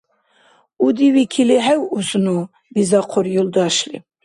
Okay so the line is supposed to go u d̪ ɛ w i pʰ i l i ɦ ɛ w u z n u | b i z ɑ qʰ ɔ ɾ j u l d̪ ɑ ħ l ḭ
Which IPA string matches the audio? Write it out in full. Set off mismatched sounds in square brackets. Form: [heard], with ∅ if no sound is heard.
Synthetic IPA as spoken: u d̪ [i] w i [kʰ] i l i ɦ ɛ w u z n u | b i z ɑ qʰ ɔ ɾ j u l d̪ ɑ [ʃ] l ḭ